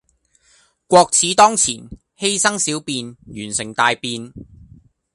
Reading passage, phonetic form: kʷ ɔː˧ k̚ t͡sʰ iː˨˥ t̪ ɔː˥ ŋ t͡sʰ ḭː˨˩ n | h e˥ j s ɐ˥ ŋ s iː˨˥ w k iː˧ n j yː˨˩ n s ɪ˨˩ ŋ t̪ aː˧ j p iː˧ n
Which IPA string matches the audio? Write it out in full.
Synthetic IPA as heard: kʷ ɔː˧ k̚ t͡sʰ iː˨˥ t̪ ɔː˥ ŋ t͡sʰ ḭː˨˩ n | h e˥ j s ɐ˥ ŋ s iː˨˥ w p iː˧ n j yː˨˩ n s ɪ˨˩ ŋ t̪ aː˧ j p iː˧ n